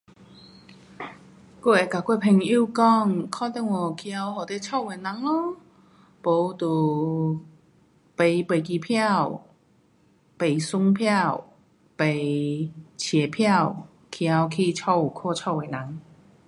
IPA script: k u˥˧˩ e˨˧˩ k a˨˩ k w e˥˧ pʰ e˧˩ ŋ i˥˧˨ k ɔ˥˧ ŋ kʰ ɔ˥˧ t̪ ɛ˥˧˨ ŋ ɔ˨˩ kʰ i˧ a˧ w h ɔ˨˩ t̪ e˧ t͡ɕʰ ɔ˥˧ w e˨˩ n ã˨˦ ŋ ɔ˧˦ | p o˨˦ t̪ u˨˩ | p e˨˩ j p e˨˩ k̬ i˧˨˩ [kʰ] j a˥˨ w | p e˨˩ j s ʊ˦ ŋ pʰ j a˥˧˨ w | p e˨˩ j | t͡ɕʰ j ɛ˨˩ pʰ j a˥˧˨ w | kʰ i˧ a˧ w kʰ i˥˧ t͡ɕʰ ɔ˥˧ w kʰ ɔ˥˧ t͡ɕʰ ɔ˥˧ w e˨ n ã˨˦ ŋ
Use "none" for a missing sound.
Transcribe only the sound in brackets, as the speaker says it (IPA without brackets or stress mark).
pʰ